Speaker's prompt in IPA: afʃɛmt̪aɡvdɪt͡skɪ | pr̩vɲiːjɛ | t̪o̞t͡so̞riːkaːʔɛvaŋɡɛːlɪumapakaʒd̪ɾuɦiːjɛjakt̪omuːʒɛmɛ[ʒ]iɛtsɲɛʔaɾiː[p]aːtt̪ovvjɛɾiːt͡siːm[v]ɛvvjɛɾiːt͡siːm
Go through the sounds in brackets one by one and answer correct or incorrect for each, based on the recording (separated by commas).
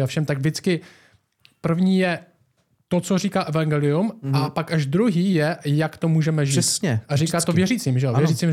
correct, incorrect, incorrect